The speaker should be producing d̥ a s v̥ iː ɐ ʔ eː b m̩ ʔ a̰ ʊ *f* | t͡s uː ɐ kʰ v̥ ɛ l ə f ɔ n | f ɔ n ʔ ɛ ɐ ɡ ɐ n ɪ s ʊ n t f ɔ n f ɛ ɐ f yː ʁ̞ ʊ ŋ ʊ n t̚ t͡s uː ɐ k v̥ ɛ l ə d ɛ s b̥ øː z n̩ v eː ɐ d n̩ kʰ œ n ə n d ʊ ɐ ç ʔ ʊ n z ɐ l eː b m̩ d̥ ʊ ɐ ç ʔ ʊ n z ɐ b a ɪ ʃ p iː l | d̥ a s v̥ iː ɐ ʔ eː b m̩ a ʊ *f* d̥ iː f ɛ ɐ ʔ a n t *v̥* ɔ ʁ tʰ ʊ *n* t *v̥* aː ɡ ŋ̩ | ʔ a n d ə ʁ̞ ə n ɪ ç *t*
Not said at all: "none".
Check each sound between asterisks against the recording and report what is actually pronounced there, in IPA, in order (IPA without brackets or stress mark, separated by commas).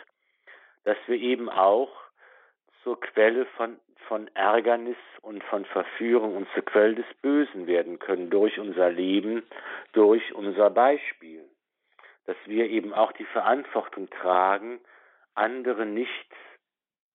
x, x, v̥, ŋ, ʁ̥, t